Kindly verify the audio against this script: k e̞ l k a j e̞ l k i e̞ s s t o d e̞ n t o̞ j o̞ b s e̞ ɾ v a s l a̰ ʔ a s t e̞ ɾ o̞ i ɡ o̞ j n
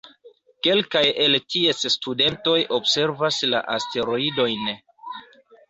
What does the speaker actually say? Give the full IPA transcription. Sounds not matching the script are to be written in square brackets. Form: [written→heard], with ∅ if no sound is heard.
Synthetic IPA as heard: k e̞ l k a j e̞ l [k→t] i e̞ s s t [o→u] d e̞ n t o̞ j o̞ b s e̞ ɾ v a s l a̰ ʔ a s t e̞ ɾ o̞ i [ɡ→d] o̞ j n